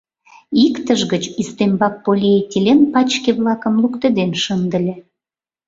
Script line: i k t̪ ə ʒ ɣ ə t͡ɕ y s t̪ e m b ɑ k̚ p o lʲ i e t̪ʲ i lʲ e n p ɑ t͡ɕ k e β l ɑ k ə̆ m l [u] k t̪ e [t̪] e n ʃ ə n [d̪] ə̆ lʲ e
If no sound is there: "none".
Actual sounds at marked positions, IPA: u, d̪, d̪

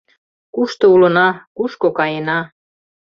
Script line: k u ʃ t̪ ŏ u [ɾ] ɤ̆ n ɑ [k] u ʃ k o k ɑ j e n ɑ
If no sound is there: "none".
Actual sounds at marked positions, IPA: l, k

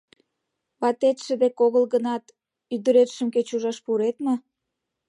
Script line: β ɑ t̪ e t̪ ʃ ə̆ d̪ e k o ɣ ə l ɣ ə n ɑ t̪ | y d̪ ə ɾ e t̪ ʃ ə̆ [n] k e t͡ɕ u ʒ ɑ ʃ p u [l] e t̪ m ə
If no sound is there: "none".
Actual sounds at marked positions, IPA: m, ɾ

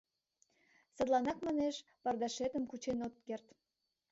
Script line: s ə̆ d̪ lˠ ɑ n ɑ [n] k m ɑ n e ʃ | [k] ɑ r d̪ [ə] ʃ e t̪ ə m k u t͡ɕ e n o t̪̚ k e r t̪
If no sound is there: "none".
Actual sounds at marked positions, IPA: none, p, ɑ

